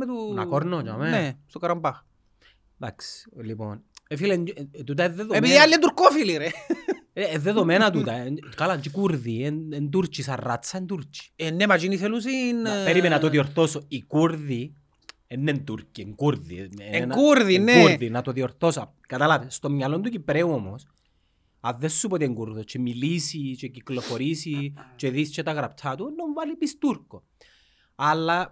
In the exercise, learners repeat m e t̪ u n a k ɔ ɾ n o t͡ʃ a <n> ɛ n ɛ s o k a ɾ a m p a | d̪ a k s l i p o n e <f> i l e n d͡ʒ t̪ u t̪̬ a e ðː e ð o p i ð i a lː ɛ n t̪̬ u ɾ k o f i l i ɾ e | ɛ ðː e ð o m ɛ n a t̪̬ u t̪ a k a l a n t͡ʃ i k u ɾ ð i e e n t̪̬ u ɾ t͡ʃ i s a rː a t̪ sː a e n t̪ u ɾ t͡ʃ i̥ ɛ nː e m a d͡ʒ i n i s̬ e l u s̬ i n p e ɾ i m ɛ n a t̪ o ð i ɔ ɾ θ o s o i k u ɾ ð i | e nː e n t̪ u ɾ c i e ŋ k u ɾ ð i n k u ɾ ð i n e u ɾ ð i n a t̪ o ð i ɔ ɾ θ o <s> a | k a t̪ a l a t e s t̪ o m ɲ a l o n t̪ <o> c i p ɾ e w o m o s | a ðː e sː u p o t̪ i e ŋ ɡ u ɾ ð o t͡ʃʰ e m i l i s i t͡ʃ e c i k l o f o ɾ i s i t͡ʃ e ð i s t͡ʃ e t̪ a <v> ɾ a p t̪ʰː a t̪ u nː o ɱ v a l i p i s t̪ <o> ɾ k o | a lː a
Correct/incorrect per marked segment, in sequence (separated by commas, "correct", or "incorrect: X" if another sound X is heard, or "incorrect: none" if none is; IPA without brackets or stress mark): incorrect: m, correct, correct, incorrect: u, incorrect: ɣ, incorrect: u